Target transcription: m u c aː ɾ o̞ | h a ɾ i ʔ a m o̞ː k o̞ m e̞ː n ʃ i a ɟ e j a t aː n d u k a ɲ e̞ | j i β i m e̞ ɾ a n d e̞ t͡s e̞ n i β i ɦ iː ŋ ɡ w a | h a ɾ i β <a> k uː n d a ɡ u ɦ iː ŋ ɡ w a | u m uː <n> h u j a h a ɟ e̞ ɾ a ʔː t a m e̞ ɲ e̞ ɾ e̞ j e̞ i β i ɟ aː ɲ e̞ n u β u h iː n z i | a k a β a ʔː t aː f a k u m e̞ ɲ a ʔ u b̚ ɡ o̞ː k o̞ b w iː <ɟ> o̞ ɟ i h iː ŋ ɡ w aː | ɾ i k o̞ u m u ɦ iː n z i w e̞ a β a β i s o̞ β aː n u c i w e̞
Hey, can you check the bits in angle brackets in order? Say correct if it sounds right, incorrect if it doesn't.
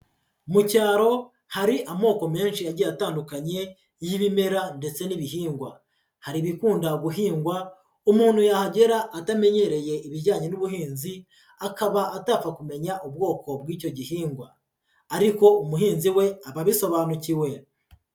incorrect, correct, incorrect

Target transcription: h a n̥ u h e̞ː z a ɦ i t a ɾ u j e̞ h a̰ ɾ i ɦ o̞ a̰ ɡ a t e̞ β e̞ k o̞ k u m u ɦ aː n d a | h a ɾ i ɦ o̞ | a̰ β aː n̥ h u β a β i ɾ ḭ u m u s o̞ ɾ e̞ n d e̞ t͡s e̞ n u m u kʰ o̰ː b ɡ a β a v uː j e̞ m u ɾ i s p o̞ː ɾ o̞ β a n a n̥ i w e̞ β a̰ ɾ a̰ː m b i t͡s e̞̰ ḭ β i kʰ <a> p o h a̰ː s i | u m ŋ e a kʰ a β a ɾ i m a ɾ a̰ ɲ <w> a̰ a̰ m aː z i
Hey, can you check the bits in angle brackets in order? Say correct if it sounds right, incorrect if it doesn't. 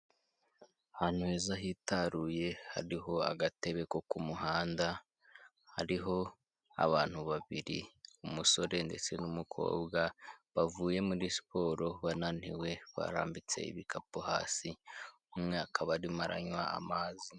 correct, correct

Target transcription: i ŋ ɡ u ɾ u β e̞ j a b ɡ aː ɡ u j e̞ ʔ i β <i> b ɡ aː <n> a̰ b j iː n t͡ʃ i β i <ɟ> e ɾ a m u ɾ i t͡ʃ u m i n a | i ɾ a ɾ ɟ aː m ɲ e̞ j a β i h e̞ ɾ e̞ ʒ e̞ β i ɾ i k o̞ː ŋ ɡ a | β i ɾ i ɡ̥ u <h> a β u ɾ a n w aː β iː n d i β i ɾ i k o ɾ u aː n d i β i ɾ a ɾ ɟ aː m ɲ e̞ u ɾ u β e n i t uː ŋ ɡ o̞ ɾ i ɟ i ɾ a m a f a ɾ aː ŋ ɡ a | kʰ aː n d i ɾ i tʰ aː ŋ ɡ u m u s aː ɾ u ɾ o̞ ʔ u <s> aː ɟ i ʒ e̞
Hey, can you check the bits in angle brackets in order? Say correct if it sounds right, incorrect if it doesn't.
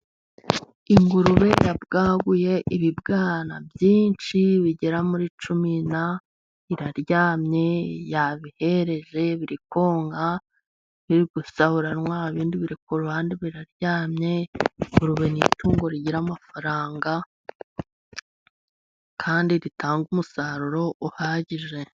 correct, correct, correct, incorrect, incorrect

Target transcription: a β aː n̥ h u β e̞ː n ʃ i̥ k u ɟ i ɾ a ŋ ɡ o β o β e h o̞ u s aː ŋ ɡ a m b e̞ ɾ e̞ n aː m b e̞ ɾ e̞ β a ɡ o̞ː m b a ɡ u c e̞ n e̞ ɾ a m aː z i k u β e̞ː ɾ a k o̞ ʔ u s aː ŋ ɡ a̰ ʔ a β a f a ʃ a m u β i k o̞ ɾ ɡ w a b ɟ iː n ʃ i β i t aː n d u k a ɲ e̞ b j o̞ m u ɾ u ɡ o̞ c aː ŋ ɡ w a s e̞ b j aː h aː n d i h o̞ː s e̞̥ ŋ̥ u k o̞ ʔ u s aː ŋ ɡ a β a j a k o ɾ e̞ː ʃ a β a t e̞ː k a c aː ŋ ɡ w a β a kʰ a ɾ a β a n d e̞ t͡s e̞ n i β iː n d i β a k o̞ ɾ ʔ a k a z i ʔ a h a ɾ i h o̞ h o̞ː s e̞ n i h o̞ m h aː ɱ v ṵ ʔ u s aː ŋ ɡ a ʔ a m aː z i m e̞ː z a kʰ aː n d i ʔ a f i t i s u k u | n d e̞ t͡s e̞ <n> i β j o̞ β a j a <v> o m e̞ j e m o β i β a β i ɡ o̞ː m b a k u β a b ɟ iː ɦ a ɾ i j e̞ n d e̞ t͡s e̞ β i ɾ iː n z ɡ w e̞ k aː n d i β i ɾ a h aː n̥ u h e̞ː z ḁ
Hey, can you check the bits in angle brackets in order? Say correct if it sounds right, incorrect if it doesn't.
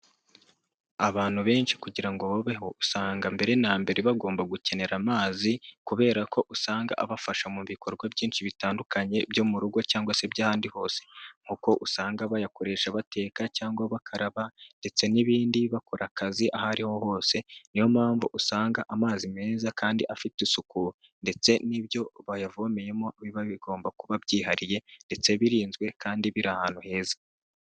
correct, correct

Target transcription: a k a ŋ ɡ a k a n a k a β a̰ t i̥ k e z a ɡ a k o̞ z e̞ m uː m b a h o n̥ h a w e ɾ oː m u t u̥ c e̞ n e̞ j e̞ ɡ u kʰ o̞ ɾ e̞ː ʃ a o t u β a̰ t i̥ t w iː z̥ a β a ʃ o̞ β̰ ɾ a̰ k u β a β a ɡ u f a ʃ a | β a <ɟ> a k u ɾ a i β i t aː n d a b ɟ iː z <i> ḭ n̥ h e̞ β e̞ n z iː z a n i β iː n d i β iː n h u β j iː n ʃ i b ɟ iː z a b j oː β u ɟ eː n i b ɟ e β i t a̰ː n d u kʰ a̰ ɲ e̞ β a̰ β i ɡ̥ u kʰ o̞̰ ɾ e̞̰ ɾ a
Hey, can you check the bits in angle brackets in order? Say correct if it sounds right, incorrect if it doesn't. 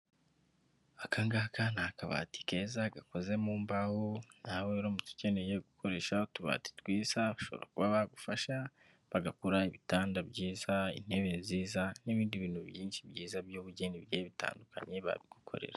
incorrect, incorrect

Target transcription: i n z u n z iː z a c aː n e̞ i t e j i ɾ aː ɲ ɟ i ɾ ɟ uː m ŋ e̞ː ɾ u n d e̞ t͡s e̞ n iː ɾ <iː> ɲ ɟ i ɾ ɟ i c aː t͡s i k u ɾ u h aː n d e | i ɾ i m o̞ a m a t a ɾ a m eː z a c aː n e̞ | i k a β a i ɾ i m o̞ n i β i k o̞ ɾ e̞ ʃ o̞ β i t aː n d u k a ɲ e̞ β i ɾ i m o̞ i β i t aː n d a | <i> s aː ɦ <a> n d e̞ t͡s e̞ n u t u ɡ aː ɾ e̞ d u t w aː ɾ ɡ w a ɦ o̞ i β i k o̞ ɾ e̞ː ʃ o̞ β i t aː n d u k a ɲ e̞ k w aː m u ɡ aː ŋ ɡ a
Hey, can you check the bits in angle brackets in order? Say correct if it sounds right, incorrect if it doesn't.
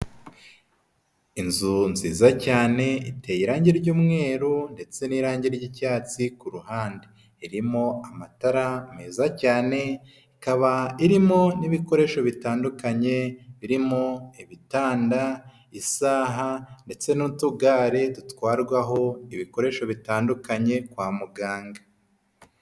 incorrect, correct, correct

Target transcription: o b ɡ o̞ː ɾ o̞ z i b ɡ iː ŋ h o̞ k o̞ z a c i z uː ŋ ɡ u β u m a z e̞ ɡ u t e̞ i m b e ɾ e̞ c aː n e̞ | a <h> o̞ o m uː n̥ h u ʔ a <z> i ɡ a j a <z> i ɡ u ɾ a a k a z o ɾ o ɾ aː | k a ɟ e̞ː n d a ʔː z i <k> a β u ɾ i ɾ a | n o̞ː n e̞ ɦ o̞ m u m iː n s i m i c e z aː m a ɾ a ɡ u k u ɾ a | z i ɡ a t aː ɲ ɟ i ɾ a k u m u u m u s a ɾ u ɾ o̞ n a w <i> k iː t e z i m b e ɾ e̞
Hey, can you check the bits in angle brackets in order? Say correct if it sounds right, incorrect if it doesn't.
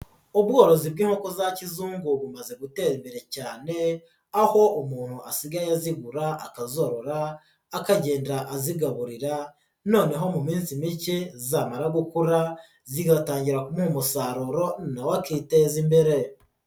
correct, incorrect, correct, incorrect, incorrect

